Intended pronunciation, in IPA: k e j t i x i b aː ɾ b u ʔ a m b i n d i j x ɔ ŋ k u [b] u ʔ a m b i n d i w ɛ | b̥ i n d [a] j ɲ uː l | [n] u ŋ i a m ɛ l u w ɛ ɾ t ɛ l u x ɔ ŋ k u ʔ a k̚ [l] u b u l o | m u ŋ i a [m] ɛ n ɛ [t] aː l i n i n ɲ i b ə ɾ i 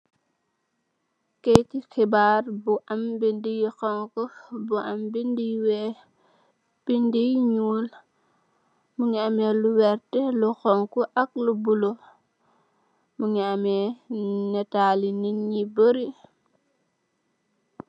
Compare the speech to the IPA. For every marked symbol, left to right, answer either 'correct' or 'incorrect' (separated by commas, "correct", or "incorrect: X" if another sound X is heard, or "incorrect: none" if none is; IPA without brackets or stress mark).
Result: correct, incorrect: i, incorrect: m, correct, correct, correct